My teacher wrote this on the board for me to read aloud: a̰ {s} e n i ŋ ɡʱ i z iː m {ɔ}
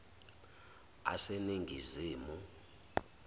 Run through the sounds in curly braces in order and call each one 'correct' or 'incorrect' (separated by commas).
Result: correct, incorrect